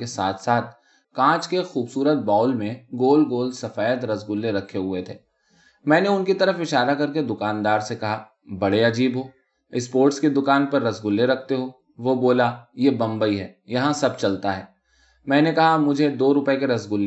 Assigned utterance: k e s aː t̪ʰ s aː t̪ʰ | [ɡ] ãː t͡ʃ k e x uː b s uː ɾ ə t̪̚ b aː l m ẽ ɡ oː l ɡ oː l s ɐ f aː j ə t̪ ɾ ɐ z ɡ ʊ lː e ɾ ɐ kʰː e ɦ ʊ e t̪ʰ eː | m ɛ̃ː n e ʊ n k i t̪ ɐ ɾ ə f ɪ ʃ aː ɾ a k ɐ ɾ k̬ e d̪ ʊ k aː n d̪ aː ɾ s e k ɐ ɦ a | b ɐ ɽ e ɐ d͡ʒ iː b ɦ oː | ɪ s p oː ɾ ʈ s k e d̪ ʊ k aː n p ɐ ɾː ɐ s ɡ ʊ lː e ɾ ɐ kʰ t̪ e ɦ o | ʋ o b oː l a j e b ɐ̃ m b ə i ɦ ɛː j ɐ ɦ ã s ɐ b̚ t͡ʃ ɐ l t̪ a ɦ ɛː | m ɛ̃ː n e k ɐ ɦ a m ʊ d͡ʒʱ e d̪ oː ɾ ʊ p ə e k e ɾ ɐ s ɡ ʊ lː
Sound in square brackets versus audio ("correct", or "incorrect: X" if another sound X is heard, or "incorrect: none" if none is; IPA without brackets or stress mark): incorrect: k